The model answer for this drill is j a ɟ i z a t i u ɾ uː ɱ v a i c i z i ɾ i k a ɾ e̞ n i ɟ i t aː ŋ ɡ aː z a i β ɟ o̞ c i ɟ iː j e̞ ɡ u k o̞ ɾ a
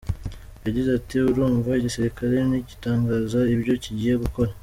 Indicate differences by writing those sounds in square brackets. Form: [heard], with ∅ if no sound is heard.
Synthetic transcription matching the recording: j a ɟ i z a t i u ɾ uː ɱ v a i [ɟ] i [s] i ɾ i k a ɾ e̞ n i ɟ i t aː ŋ ɡ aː z a i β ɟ o̞ c i ɟ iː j e̞ ɡ u k o̞ ɾ a